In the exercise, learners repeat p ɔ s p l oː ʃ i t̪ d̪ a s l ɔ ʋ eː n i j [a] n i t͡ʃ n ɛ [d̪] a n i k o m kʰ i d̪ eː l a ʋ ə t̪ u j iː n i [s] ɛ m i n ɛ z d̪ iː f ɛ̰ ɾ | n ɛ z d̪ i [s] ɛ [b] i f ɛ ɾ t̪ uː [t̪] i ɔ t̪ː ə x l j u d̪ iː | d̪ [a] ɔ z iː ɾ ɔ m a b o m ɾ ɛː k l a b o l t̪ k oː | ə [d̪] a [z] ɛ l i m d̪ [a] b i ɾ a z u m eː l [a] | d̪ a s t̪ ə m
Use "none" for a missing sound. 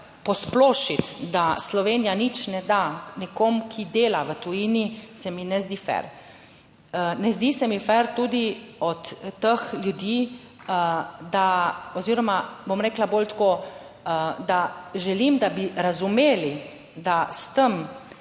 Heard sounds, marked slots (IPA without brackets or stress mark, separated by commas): a, d̪, s, s, m, d̪, a, d̪, ʒ, a, i